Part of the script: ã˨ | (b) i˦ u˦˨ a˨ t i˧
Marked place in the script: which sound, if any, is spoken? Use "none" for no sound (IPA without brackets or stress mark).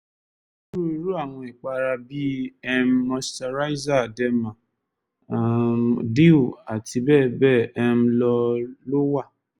d